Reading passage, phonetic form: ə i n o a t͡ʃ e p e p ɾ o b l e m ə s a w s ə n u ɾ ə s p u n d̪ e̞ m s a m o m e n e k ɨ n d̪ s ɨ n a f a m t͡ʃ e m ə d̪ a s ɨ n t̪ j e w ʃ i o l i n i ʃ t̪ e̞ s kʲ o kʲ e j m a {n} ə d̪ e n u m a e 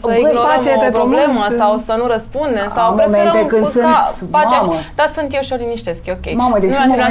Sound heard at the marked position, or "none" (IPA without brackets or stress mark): m